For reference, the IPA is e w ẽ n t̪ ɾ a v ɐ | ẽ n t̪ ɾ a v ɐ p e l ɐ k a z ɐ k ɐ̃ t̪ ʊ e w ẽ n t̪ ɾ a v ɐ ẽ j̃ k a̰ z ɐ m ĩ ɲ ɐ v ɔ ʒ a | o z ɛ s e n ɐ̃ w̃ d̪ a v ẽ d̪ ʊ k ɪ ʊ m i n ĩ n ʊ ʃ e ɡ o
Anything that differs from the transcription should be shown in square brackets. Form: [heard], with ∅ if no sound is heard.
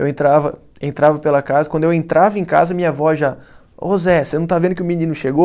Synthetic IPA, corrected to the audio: e w ẽ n t̪ ɾ a v ɐ | ẽ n t̪ ɾ a v ɐ p e l ɐ k a z ɐ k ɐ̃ [d̪] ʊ e w ẽ n t̪ ɾ a v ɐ ẽ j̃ k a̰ z ɐ m ĩ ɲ ɐ v ɔ ʒ a | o z ɛ s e n ɐ̃ w̃ [t̪] a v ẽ d̪ ʊ k ɪ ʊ m i n ĩ n ʊ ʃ e ɡ o